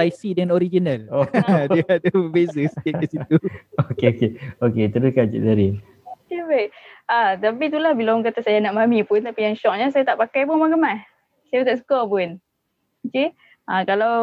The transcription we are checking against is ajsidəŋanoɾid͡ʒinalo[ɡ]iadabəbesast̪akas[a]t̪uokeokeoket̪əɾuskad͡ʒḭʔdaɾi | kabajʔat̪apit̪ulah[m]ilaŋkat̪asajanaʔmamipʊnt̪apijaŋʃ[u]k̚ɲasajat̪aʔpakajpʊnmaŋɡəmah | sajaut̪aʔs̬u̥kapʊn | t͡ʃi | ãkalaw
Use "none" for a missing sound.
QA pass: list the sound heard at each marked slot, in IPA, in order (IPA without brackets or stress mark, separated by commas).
d, i, b, ɔ